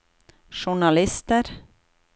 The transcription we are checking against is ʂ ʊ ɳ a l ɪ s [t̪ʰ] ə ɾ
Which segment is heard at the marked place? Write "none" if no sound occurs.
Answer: t̪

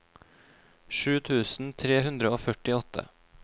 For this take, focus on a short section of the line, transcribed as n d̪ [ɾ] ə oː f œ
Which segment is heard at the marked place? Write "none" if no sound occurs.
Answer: ɾ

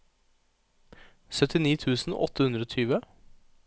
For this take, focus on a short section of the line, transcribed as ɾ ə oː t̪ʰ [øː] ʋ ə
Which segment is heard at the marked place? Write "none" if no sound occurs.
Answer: yː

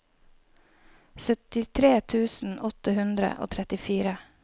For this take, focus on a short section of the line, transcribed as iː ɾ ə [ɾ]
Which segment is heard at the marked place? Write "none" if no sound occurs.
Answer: none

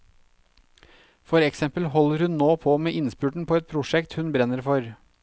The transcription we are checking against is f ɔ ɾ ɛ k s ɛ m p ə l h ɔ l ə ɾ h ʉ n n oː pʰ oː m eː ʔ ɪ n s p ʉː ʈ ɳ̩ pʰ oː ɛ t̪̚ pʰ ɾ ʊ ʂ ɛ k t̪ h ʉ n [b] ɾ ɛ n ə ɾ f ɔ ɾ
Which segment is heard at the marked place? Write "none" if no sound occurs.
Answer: b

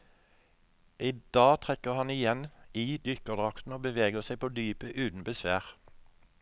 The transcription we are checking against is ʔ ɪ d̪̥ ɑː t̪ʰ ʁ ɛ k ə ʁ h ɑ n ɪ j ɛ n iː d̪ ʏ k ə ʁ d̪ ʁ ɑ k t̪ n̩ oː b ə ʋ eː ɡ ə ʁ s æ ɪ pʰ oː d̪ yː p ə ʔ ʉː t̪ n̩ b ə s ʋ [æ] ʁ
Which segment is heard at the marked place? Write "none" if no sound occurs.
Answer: æː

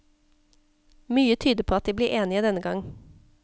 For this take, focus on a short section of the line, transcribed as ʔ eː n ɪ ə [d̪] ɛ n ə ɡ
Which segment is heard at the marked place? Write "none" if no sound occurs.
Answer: d̪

